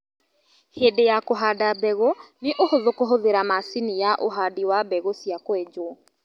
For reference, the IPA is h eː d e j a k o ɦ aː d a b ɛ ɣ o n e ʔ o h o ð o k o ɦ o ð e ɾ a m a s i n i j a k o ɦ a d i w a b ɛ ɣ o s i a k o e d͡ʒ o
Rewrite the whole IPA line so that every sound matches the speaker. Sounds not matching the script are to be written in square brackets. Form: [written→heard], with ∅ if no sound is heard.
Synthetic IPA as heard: h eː d e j a k o ɦ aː d a b ɛ ɣ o n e ʔ o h o ð o k o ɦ o ð e ɾ a m a s i n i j a [k→ʔ] o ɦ a d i w a b ɛ ɣ o s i a k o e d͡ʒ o